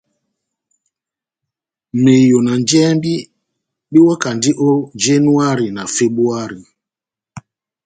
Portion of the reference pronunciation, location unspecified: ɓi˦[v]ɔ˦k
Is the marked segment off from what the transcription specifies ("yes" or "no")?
yes